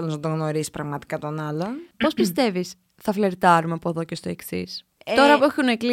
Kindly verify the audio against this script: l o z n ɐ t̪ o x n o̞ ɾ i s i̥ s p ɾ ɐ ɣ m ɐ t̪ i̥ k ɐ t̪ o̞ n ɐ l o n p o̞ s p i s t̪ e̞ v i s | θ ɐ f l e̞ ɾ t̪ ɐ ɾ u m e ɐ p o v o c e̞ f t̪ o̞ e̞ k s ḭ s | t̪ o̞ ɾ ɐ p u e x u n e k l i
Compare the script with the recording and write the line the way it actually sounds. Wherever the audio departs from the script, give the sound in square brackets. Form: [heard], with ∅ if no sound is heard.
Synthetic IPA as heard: l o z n ɐ t̪ o [ɣ] n o̞ ɾ i s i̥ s p ɾ ɐ ɣ m ɐ t̪ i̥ k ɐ t̪ o̞ n ɐ l o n p o̞ s p i s t̪ e̞ v i s | θ ɐ f l e̞ ɾ t̪ ɐ ɾ u m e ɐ p o [ð] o c e̞ [s] t̪ o̞ e̞ k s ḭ s | t̪ o̞ ɾ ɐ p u e x u n e k l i